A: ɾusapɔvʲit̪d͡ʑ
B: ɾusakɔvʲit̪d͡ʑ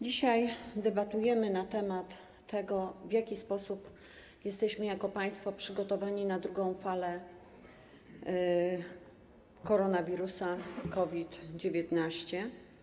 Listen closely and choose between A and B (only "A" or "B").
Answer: B